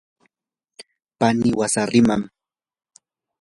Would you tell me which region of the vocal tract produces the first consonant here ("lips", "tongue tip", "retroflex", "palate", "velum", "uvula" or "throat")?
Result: lips